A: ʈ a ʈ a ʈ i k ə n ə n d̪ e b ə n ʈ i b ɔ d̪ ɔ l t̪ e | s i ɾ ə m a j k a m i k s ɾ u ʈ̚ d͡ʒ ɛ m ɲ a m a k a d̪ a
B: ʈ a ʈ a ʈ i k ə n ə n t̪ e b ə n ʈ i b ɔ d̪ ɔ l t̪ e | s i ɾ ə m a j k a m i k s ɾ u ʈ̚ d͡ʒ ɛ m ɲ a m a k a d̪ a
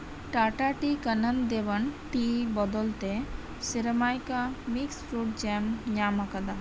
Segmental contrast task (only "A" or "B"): A